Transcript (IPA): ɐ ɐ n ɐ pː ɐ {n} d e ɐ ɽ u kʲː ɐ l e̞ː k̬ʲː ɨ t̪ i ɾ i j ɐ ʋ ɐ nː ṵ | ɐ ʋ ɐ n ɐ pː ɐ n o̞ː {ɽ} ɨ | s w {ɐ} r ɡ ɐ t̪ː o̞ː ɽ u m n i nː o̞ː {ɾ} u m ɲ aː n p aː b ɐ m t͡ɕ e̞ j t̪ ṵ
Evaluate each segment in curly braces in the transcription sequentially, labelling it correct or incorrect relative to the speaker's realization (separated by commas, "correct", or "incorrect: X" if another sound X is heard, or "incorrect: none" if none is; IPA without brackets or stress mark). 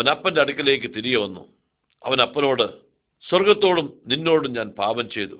correct, correct, correct, incorrect: ɽ